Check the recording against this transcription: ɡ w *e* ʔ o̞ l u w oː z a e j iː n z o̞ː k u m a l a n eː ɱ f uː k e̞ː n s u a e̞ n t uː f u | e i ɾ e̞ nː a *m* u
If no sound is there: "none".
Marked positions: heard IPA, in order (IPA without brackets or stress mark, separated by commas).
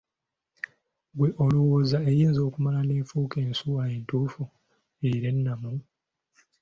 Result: e, m